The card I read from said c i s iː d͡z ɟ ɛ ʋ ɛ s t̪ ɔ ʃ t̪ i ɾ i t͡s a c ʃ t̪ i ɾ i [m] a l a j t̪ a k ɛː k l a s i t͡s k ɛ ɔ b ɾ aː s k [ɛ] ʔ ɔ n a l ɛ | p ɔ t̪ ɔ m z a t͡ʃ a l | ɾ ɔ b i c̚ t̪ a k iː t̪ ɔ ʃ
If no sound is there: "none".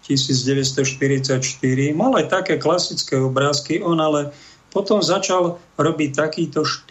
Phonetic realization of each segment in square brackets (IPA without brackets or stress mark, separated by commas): m, i